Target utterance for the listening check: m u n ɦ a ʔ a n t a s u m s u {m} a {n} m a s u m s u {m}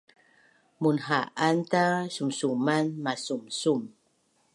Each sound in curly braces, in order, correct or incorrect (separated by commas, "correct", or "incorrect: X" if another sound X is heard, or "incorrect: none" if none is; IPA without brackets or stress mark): correct, correct, correct